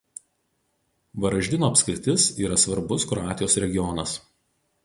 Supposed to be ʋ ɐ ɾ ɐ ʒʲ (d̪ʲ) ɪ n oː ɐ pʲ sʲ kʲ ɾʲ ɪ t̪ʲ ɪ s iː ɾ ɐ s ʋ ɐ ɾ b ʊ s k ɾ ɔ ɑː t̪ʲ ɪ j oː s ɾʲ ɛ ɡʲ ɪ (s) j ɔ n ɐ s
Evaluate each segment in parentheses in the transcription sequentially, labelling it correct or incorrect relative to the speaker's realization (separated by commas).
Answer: correct, incorrect